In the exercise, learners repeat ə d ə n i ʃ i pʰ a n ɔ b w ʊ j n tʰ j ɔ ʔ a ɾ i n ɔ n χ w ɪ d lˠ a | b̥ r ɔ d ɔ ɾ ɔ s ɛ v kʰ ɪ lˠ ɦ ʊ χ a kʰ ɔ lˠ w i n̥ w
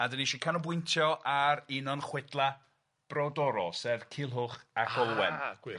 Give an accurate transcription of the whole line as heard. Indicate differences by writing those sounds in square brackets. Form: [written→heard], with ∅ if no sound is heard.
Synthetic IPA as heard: [ə→a] d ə n i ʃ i [pʰ→kʰ] a n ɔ b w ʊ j n tʰ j ɔ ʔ a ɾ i n ɔ n χ w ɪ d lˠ a | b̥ r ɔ d ɔ ɾ ɔ s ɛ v kʰ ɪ lˠ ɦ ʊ χ a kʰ ɔ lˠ w [i→ɛ] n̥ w